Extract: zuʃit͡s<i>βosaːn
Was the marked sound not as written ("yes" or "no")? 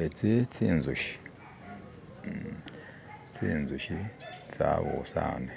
yes